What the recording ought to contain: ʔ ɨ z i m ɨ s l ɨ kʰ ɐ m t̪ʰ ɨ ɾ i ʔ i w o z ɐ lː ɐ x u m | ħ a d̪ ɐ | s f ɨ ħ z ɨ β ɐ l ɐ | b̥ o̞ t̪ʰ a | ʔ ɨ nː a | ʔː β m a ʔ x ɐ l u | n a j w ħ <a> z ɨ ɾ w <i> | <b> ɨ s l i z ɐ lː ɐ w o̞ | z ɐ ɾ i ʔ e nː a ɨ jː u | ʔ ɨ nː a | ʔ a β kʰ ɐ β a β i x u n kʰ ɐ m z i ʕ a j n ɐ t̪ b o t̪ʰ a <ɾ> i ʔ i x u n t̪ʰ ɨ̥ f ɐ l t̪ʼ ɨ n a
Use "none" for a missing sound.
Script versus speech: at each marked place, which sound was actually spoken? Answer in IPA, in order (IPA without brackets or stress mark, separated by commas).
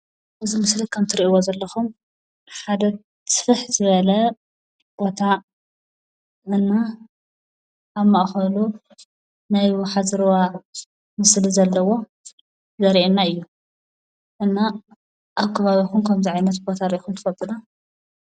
a, a, m, ɾ